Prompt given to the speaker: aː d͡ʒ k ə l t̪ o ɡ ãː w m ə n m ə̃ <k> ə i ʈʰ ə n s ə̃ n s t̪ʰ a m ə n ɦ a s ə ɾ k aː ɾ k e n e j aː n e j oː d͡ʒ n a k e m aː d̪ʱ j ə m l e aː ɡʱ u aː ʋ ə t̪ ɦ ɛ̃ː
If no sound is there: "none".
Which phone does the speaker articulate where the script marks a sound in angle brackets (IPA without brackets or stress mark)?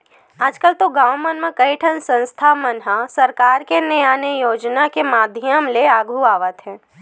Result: k